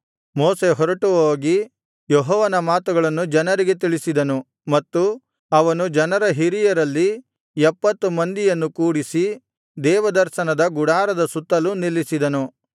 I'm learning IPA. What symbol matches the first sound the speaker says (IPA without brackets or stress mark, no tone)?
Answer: m